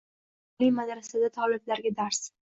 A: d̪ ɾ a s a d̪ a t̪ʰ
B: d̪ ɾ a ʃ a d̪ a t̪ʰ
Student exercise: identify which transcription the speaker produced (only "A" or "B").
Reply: A